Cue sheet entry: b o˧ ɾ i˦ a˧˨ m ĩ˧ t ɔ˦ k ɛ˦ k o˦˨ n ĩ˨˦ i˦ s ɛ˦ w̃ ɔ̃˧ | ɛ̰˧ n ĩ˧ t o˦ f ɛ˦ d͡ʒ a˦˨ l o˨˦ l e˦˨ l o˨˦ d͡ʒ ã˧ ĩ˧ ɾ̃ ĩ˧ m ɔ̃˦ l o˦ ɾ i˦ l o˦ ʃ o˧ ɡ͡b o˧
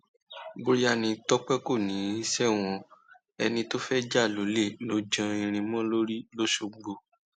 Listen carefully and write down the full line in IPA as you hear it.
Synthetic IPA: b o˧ ɾ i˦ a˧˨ n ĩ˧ t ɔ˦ k͡p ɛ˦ k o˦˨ n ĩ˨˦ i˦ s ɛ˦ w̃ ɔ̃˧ | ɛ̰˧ n ĩ˧ t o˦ f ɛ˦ d͡ʒ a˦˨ l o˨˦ l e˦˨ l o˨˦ d͡ʒ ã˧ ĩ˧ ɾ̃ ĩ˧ m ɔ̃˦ l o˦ ɾ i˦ l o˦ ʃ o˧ ɡ͡b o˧